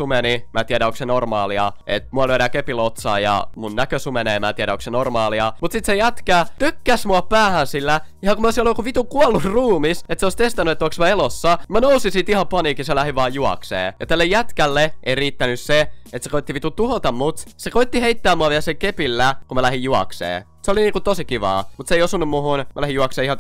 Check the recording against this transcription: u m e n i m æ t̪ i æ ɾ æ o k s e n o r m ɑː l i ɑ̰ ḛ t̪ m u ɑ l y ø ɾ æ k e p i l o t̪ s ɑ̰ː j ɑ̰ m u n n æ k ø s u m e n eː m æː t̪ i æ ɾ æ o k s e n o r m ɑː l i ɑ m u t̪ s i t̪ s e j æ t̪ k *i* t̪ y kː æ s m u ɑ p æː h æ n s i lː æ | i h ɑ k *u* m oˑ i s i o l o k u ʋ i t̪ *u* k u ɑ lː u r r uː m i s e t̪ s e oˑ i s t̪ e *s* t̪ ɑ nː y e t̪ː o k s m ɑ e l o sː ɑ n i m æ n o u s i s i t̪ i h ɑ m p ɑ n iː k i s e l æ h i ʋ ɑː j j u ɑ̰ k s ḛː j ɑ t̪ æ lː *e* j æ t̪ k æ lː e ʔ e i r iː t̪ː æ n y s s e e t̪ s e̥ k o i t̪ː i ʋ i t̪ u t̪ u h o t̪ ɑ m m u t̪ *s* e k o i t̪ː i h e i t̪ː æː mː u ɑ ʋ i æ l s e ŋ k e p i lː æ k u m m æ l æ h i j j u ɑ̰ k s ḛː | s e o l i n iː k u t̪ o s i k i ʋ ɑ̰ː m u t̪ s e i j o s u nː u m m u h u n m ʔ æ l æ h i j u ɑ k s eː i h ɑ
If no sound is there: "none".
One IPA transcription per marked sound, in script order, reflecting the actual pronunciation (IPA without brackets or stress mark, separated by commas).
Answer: æ, u, u, s, e, s